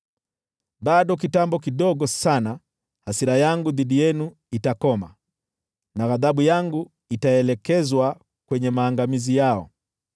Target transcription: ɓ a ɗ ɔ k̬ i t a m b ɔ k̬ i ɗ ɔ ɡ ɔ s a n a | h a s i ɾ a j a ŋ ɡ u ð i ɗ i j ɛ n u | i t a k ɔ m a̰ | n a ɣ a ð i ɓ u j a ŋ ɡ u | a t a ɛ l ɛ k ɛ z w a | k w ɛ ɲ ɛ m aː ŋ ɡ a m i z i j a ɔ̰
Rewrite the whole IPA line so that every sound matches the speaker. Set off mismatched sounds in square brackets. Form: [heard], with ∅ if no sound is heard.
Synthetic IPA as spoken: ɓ a ɗ ɔ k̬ i t a m b ɔ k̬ i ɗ ɔ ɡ ɔ s a n a | h a s i ɾ a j a ŋ ɡ u ð i ɗ i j ɛ n u | i t a k ɔ m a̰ | n a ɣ a ð [a] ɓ u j a ŋ ɡ u | [i] t a ɛ l ɛ k ɛ z w a | k w ɛ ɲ ɛ m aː ŋ ɡ a m i z i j a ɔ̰